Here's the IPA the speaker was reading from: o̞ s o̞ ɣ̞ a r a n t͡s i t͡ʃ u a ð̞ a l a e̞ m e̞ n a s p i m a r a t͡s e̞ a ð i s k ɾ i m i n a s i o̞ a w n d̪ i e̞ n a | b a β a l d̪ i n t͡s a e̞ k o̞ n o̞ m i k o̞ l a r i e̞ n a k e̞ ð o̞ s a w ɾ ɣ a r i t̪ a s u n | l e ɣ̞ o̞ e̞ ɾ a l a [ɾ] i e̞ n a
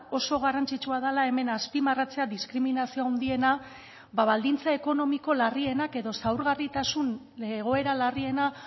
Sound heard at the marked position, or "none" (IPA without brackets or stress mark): r